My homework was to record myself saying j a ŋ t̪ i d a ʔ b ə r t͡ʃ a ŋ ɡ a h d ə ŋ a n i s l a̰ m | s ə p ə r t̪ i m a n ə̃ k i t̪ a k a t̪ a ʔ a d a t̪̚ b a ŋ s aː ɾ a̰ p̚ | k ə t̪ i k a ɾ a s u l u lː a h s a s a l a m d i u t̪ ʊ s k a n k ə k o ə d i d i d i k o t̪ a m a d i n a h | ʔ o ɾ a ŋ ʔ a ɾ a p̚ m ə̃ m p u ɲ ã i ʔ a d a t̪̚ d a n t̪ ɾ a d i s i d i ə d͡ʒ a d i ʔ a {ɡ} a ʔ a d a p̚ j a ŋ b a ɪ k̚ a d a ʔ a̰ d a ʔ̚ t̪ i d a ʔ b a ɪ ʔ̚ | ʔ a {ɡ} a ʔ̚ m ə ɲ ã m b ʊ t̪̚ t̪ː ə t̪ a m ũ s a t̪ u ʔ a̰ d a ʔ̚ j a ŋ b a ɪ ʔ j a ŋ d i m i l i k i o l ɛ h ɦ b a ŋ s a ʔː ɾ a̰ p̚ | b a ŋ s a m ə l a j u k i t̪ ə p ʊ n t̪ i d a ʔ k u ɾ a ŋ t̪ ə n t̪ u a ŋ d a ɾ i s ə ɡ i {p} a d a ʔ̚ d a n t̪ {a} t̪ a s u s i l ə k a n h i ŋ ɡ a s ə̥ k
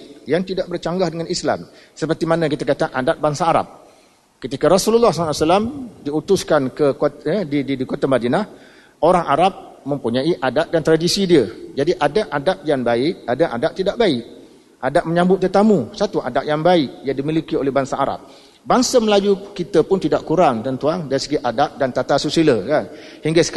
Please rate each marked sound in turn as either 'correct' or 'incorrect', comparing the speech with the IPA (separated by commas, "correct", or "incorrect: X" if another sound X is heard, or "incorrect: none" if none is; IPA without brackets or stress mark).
incorrect: d, incorrect: d, incorrect: ʔ, correct